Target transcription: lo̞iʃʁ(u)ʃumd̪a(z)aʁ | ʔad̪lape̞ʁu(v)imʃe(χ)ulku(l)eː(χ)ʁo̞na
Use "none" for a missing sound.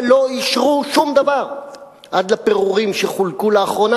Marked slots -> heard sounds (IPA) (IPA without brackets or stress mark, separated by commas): u, v, ʁ, χ, l, χ